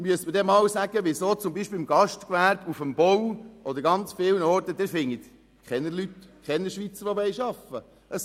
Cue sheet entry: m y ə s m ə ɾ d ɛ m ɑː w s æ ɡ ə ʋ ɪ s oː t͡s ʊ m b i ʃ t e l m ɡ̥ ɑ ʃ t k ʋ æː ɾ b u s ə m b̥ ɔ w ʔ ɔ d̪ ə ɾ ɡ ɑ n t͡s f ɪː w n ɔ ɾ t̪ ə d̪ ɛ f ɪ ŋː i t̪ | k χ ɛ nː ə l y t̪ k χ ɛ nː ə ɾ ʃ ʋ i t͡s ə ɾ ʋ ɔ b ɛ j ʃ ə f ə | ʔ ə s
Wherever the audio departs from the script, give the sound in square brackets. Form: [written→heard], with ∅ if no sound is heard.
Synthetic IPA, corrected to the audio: m y ə s m ə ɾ d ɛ m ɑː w s æ ɡ ə ʋ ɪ s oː t͡s ʊ m b i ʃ [t→p] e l m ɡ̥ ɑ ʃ t k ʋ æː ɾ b u [s→f] ə m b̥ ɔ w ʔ ɔ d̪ ə ɾ ɡ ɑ n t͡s f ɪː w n ɔ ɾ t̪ ə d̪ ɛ f ɪ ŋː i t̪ | k χ ɛ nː ə l y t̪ k χ ɛ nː ə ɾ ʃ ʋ i t͡s ə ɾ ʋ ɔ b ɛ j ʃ [ə→ɑ] f ə | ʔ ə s